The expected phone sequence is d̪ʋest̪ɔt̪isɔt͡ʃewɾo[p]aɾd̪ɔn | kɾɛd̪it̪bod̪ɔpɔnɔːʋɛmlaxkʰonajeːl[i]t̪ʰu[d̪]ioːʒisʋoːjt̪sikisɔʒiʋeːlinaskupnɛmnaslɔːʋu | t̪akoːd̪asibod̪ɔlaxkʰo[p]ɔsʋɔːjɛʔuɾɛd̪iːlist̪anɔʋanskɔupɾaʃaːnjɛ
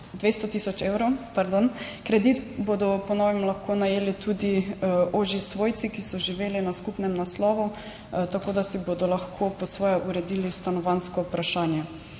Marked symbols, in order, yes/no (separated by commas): yes, yes, yes, yes